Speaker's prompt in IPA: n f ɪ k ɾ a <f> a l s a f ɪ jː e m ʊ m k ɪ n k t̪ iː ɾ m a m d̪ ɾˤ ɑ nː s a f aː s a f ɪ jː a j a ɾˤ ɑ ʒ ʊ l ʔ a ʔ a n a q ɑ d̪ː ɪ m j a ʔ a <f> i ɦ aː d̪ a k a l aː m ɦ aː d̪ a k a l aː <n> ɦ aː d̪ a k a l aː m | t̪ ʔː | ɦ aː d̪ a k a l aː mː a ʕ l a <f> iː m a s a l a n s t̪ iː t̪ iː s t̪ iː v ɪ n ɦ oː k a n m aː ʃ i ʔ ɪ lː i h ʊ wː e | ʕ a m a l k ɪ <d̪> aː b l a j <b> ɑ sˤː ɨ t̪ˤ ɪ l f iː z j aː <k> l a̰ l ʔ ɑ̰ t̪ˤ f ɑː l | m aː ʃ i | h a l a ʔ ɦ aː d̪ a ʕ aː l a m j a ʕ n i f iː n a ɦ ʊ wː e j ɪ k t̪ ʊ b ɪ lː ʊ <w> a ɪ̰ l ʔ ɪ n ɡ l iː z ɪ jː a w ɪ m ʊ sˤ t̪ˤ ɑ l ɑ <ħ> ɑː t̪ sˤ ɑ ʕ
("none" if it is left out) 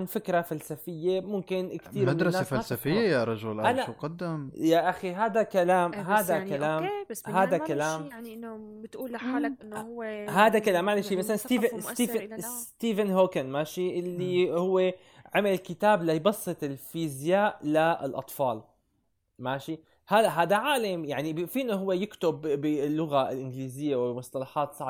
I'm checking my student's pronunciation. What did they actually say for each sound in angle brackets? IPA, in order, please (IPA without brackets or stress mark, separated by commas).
f, x, m, ʃ, t̪, b, ʔ, ɣ, ħ